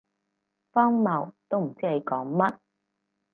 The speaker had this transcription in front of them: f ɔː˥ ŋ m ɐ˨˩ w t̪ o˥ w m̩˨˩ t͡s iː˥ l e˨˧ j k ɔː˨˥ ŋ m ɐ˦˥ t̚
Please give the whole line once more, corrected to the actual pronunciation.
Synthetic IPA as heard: f ɔː˥ ŋ m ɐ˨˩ w t̪ o˥ w m̩˨˩ t͡s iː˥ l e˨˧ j k ɔː˨˥ ŋ m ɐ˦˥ t̚